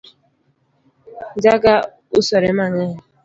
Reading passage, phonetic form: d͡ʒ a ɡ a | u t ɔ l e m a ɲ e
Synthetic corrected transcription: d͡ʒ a ɡ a | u s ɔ ɾ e m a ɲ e